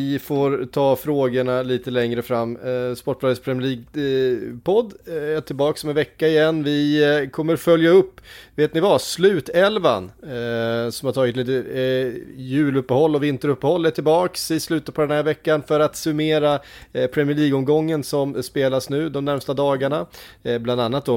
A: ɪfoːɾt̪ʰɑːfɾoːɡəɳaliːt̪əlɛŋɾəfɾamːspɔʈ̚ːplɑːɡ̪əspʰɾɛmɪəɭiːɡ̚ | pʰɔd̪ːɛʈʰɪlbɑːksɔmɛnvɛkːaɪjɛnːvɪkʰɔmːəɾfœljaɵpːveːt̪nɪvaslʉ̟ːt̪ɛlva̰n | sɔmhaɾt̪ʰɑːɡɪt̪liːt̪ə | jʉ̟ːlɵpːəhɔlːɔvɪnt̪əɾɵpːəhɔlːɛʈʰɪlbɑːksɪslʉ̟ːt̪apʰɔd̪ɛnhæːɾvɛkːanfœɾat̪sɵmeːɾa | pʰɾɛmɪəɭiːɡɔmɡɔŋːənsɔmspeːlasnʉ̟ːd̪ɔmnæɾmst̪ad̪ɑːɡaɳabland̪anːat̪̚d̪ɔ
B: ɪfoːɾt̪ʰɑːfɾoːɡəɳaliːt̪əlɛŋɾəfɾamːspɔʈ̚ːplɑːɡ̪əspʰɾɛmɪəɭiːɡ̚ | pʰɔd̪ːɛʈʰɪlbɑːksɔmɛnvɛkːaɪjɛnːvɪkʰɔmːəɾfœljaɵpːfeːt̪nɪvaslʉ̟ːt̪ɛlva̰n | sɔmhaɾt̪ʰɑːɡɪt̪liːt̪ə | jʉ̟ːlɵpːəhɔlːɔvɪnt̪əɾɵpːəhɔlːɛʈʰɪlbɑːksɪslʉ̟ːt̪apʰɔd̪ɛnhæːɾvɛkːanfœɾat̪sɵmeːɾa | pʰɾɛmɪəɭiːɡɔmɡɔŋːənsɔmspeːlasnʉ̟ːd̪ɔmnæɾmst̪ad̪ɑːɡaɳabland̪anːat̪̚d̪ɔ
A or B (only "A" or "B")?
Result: A